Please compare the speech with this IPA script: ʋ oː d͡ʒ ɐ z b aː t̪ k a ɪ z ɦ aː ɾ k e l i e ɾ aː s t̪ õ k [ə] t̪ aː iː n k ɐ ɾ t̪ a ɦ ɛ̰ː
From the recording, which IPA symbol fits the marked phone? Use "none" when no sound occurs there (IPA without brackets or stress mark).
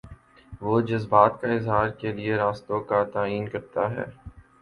a